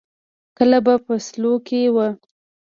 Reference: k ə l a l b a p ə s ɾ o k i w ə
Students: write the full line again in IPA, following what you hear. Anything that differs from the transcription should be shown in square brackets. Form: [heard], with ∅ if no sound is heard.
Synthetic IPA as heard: k ə l a [∅] b a p ə s [l] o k [e] w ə